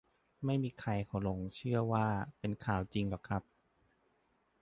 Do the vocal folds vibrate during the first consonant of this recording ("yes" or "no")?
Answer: yes